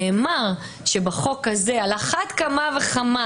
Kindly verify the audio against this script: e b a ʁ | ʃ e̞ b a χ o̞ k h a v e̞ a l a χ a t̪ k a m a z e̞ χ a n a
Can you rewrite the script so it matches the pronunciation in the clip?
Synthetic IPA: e m a ʁ | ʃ e̞ b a χ o̞ k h a z e̞ a l a χ a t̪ k a m a v e̞ χ a m a